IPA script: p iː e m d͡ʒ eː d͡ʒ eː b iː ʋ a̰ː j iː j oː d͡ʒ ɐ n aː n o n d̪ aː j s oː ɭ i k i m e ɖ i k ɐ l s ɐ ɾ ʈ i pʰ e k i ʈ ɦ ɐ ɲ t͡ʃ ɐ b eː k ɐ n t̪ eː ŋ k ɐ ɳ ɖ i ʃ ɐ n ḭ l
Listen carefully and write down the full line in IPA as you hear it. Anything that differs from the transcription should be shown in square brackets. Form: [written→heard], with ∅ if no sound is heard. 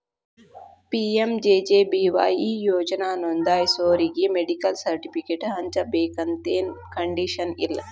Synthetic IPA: p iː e m d͡ʒ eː d͡ʒ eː b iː ʋ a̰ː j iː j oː d͡ʒ ɐ n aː n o n d̪ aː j s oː [ɭ→ɾ] i [k→ɡ] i m e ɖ i k ɐ l s ɐ ɾ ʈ i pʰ [e→i] k [i→e] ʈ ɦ ɐ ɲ t͡ʃ ɐ b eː k ɐ n t̪ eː [ŋ→n] k ɐ ɳ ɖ i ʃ ɐ n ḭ l

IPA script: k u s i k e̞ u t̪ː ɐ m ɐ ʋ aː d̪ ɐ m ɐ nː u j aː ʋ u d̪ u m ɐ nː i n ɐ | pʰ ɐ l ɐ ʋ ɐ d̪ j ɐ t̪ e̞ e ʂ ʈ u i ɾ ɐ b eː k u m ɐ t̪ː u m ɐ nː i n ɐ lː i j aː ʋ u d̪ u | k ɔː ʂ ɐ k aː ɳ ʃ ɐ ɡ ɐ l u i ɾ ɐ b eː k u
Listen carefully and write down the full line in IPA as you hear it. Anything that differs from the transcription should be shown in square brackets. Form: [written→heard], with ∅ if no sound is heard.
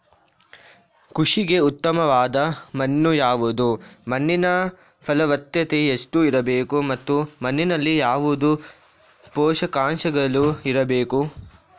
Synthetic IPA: k u [s→ʂ] i [k→ɡ] e̞ u t̪ː ɐ m ɐ ʋ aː d̪ ɐ m ɐ nː u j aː ʋ u d̪ u m ɐ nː i n ɐ | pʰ ɐ l ɐ ʋ ɐ [d̪→t̪] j ɐ t̪ e̞ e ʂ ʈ u i ɾ ɐ b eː k u m ɐ t̪ː u m ɐ nː i n ɐ lː i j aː ʋ u d̪ u | [k→p] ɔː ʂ ɐ k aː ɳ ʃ ɐ ɡ ɐ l u i ɾ ɐ b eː k u

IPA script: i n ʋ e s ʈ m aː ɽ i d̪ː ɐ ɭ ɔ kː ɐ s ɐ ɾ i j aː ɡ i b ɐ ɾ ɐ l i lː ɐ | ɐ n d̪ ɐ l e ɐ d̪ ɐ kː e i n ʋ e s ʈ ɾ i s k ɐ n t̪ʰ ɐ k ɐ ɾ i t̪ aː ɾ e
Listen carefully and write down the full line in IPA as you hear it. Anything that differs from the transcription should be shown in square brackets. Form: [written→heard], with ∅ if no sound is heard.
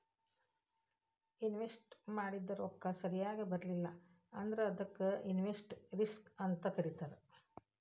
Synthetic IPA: i n ʋ e s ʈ m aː ɽ i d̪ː ɐ [ɭ→ɾ] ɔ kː ɐ s ɐ ɾ i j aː ɡ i b ɐ ɾ ɐ l i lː ɐ | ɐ n d̪ ɐ [l→ɾ] e ɐ d̪ ɐ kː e i n ʋ e s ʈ ɾ i s k ɐ n [t̪ʰ→t̪] ɐ k ɐ ɾ i t̪ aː ɾ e

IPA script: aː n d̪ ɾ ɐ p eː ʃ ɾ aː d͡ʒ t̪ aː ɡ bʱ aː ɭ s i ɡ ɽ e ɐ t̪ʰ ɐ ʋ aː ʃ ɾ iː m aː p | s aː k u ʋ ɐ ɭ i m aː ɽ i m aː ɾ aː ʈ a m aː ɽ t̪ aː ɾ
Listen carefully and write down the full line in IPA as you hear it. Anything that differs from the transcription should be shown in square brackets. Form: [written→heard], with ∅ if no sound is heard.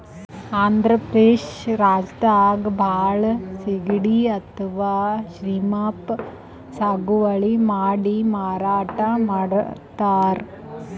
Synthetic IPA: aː n d̪ ɾ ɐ p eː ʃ ɾ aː d͡ʒ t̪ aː ɡ bʱ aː ɭ s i ɡ ɽ [e→i] ɐ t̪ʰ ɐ ʋ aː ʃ ɾ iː m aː p | s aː [k→ɡ] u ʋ ɐ ɭ i m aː ɽ i m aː ɾ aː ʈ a m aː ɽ t̪ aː ɾ

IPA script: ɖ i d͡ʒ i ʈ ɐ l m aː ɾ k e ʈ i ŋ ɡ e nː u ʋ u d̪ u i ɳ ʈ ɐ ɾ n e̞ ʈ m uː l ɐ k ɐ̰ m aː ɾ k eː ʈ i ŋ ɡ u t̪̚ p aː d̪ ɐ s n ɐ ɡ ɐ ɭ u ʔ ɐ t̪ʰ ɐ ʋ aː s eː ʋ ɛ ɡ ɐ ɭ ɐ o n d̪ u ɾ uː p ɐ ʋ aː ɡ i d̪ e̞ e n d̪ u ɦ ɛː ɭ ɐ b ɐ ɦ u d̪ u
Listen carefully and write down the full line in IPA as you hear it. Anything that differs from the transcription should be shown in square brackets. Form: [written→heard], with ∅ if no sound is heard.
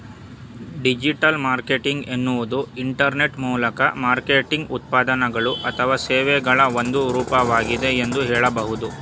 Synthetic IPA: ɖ i d͡ʒ i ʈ ɐ l m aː ɾ k e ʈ i ŋ ɡ e nː u ʋ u d̪ u i ɳ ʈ ɐ ɾ n e̞ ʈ m uː l ɐ k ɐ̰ m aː ɾ k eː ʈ i ŋ ɡ u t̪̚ p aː d̪ ɐ [s→∅] n ɐ ɡ ɐ ɭ u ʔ ɐ t̪ʰ ɐ ʋ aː s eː ʋ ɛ ɡ ɐ ɭ ɐ o n d̪ u ɾ uː p ɐ ʋ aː ɡ i d̪ e̞ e n d̪ u ɦ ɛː ɭ ɐ b ɐ ɦ u d̪ u

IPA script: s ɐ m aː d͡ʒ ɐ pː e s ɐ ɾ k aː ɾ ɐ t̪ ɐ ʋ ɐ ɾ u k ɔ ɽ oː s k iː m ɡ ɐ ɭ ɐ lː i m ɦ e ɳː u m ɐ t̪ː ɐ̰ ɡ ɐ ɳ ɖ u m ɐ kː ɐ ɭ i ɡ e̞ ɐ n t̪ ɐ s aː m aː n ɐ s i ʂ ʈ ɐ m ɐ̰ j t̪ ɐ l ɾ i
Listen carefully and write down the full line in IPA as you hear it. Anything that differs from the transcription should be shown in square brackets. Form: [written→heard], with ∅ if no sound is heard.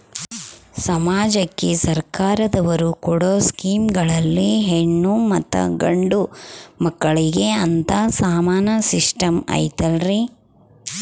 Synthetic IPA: s ɐ m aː d͡ʒ ɐ [pː→kː] e s ɐ ɾ k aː ɾ ɐ [t̪→d̪] ɐ ʋ ɐ ɾ u k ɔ ɽ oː s k iː m ɡ ɐ ɭ ɐ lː i [m→∅] ɦ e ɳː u m ɐ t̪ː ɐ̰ ɡ ɐ ɳ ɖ u m ɐ kː ɐ ɭ i ɡ e̞ ɐ n t̪ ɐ s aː m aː n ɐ s i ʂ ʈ ɐ m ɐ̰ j t̪ ɐ l ɾ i

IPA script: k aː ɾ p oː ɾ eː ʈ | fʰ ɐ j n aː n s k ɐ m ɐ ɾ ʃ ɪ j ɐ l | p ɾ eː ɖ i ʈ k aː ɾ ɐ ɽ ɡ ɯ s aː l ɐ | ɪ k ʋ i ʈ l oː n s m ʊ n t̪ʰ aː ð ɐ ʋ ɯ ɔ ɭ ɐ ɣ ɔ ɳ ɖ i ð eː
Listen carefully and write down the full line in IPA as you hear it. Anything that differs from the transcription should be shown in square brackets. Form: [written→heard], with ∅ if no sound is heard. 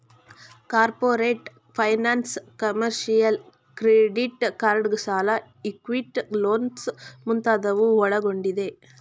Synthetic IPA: k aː ɾ p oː ɾ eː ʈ | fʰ ɐ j n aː n s k ɐ m ɐ ɾ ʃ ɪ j ɐ l | [p→k] ɾ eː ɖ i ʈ k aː ɾ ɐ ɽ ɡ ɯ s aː l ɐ | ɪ k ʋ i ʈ l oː n s m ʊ n [t̪ʰ→t̪] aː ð ɐ ʋ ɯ ɔ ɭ ɐ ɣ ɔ ɳ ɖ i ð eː

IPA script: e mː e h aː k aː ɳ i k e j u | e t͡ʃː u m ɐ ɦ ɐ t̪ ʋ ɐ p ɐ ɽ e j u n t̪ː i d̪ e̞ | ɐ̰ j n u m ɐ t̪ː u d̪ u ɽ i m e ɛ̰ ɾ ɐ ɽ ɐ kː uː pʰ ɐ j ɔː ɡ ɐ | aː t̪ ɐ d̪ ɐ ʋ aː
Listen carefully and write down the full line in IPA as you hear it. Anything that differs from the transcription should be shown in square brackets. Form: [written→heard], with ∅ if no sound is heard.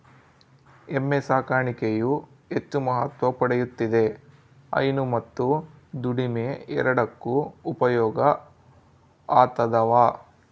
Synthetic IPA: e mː e [h→s] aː k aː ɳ i k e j u | e t͡ʃː u m ɐ ɦ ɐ t̪ ʋ ɐ p ɐ ɽ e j u [n→∅] t̪ː i d̪ e̞ | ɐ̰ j n u m ɐ t̪ː u d̪ u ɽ i m e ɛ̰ ɾ ɐ ɽ ɐ kː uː [pʰ→p] ɐ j ɔː ɡ ɐ | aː t̪ ɐ d̪ ɐ ʋ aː

